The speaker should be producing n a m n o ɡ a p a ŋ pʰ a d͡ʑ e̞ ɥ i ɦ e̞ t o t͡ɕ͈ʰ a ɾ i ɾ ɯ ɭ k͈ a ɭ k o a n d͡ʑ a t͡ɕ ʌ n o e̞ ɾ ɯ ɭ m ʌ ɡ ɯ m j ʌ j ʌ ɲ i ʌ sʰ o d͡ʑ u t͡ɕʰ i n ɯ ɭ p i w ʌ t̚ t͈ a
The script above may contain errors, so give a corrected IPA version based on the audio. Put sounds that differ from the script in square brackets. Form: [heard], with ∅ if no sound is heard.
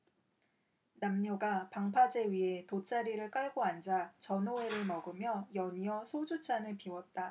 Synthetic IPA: n a m [ɲ] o ɡ a p a ŋ pʰ a d͡ʑ e̞ ɥ i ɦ e̞ t o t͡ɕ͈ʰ a ɾ i ɾ ɯ ɭ k͈ a ɭ [ɡ] o a n d͡ʑ a t͡ɕ ʌ n o e̞ ɾ ɯ ɭ m ʌ ɡ ɯ m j ʌ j ʌ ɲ i ʌ sʰ o d͡ʑ u t͡ɕʰ [a] n ɯ ɭ p i w ʌ t̚ t͈ a